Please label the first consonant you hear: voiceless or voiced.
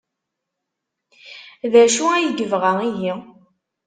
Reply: voiced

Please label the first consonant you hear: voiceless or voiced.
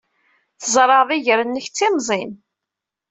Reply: voiceless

